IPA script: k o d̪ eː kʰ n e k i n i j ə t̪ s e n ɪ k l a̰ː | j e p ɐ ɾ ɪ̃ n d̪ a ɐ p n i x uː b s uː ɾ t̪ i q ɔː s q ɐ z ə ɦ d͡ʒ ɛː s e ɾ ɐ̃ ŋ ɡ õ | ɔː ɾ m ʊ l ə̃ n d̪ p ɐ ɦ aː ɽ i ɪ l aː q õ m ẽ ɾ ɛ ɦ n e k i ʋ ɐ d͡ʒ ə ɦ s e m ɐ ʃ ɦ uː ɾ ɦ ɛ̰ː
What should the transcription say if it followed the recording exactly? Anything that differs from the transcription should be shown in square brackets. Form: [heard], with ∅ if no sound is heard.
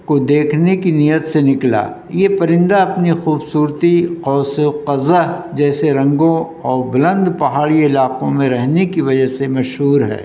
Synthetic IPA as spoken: k o d̪ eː kʰ n e k i n i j ə t̪ s e n ɪ k l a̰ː | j e p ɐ ɾ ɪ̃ n d̪ a ɐ p n i x uː b s uː ɾ t̪ i q ɔː s q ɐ z ə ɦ d͡ʒ ɛː s e ɾ ɐ̃ ŋ ɡ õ | ɔː ɾ [b] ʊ l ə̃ n d̪ p ɐ ɦ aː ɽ i ɪ l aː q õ m ẽ ɾ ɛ ɦ n e k i ʋ ɐ d͡ʒ ə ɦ s e m ɐ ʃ ɦ uː ɾ ɦ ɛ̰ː

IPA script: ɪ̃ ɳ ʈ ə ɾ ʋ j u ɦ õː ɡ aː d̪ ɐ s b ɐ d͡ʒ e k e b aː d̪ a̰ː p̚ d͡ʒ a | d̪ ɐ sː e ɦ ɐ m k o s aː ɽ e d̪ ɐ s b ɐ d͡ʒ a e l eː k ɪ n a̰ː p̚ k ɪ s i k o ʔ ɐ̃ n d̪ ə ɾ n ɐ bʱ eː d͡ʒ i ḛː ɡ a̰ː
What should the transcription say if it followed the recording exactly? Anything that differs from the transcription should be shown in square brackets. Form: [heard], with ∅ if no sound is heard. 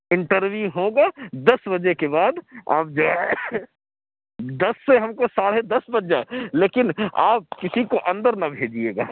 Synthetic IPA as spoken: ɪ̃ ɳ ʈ ə ɾ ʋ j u ɦ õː ɡ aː d̪ ɐ s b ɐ d͡ʒ e k e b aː d̪ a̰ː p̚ d͡ʒ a | d̪ ɐ sː e ɦ ɐ m k o s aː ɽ e d̪ ɐ s b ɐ d͡ʒ a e l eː k ɪ n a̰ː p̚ k ɪ s i k o ʔ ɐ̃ n d̪ ə ɾ n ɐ bʱ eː d͡ʒ i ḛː ɡ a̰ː

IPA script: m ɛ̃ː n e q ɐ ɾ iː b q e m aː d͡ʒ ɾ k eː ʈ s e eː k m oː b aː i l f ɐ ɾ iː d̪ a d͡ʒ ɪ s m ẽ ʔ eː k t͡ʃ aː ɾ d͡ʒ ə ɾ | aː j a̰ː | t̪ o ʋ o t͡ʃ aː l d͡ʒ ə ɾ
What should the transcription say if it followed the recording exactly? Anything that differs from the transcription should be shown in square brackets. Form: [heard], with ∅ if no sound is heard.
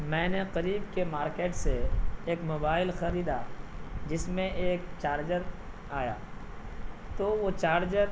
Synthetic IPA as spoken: m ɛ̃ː n e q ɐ ɾ iː b [k] e m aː [∅] ɾ k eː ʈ s e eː k m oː b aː [ɪ] l [x] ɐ ɾ iː d̪ a d͡ʒ ɪ s m ẽ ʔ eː k t͡ʃ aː ɾ d͡ʒ ə ɾ | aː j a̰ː | t̪ o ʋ o t͡ʃ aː [ɾ] d͡ʒ ə ɾ

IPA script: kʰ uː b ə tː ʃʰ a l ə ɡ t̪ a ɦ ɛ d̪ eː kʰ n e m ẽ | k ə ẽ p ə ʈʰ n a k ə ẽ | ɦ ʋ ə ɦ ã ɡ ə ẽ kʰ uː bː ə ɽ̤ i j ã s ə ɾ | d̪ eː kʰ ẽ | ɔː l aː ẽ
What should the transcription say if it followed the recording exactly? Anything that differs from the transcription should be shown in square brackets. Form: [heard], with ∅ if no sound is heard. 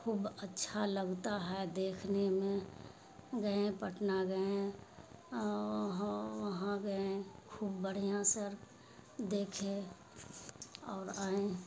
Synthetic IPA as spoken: kʰ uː b ə tː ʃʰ a l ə ɡ t̪ a ɦ ɛ d̪ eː kʰ n e m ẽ | [ɡ] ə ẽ p ə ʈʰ n a [ɡ] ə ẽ | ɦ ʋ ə ɦ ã ɡ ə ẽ kʰ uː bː ə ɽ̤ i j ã s ə ɾ | d̪ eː kʰ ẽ | ɔː [ɾ] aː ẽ

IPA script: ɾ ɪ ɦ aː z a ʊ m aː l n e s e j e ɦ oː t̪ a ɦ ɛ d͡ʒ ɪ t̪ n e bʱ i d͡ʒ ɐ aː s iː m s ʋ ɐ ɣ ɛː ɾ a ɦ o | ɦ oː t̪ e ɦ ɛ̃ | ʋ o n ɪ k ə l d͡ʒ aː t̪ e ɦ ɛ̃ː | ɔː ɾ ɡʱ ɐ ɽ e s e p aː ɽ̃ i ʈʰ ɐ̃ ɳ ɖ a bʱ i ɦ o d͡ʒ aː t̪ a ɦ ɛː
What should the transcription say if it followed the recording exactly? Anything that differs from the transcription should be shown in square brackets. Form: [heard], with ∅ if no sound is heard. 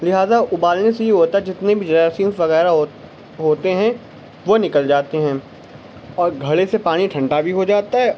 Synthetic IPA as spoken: [l] ɪ ɦ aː z a ʊ [b] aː l n e s e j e ɦ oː t̪ a ɦ ɛ d͡ʒ ɪ t̪ n e bʱ i d͡ʒ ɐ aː s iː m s ʋ ɐ ɣ ɛː ɾ a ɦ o | ɦ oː t̪ e ɦ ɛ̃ | ʋ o n ɪ k ə l d͡ʒ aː t̪ e ɦ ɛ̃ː | ɔː ɾ ɡʱ ɐ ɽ e s e p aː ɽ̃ i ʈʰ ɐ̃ ɳ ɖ a bʱ i ɦ o d͡ʒ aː t̪ a ɦ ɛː

